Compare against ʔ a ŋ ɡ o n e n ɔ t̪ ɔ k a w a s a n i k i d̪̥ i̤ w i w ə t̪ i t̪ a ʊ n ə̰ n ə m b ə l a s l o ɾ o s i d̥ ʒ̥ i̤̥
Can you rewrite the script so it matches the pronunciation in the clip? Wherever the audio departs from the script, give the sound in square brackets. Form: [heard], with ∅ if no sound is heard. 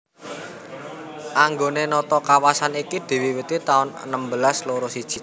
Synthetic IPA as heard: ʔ a ŋ ɡ o n e n ɔ t̪ ɔ k a w a s a n i k i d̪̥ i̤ w i w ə t̪ i t̪ a ʊ n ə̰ n ə m b ə l a s l o ɾ o s i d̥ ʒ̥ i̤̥